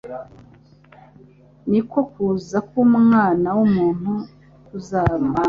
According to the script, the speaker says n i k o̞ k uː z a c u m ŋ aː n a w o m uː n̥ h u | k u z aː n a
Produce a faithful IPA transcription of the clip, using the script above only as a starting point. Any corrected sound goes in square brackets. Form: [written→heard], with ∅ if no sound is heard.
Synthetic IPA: n i k o̞ k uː z a [c→k] u m ŋ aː n a w [o→u] m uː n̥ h u | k u z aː [n→m] a